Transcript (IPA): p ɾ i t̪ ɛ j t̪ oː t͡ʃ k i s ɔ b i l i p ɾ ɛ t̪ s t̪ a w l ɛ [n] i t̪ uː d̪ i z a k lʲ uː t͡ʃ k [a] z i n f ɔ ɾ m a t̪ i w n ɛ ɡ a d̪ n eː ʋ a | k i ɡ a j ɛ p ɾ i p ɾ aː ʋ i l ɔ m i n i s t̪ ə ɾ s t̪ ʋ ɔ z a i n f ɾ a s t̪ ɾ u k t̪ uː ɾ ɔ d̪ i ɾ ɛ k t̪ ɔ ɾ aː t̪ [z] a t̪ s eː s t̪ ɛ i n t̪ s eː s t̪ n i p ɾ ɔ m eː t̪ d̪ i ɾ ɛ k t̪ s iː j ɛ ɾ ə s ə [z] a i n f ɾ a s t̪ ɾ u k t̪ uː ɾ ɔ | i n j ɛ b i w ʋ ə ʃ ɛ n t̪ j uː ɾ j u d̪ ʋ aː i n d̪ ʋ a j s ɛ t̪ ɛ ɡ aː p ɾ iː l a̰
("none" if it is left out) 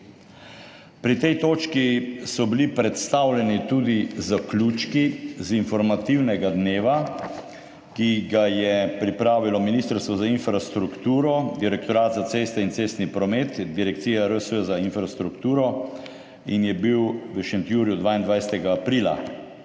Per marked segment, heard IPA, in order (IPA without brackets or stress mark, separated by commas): n, i, z, z